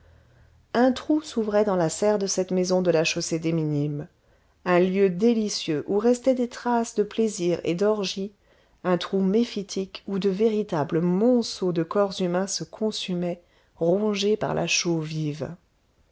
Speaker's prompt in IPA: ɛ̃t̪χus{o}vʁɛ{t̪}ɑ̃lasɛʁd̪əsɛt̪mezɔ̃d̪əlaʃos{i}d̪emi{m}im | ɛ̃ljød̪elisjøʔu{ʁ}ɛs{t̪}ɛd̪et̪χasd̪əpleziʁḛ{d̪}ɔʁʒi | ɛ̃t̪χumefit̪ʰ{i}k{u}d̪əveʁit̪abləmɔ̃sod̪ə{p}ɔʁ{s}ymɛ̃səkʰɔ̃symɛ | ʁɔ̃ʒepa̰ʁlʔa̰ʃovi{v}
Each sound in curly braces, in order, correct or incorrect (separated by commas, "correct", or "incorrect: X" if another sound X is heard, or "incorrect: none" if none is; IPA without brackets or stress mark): incorrect: u, incorrect: d̪, incorrect: e, incorrect: n, correct, correct, correct, correct, correct, incorrect: k, incorrect: z, correct